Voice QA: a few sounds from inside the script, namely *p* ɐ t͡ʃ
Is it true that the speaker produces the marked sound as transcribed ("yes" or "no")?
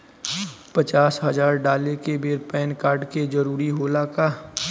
yes